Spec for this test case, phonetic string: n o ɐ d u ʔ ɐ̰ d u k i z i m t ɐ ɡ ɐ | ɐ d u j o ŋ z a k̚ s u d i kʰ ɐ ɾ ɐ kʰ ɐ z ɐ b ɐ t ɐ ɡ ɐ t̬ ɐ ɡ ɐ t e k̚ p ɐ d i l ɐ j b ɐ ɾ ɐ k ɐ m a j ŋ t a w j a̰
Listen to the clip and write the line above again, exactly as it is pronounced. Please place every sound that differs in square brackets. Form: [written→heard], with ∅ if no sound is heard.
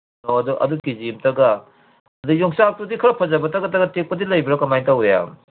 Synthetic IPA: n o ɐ d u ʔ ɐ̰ d u k i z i m t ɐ ɡ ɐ | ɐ d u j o ŋ [z→s] a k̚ [s→t] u d i kʰ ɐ ɾ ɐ [kʰ→pʰ] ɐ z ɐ b ɐ t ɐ ɡ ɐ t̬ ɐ ɡ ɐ t e k̚ p ɐ d i l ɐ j b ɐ ɾ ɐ k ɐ m a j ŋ t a w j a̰